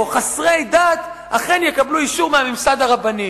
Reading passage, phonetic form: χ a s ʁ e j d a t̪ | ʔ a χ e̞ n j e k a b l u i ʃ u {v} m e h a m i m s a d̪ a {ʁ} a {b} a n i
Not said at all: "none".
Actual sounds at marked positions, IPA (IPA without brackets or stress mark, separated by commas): ʁ, ʁ, b